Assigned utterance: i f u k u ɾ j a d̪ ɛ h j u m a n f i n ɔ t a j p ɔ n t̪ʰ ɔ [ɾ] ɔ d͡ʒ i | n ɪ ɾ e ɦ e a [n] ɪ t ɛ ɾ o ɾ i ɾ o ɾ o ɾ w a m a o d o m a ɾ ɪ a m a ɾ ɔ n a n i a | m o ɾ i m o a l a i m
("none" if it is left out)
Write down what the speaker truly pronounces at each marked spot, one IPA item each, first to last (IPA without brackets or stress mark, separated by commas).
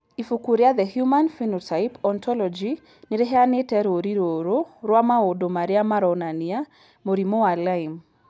l, n